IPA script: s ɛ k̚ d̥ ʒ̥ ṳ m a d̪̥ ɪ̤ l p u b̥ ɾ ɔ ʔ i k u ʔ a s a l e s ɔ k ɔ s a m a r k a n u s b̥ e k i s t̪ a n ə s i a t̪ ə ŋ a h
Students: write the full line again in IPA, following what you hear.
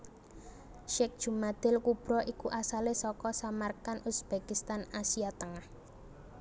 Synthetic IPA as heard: ʃ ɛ k̚ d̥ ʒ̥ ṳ m a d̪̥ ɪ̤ l k u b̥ ɾ ɔ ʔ i k u ʔ a s a l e s ɔ k ɔ s a m a r k a n u s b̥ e k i s t̪ a n a s i a t̪ ə ŋ a h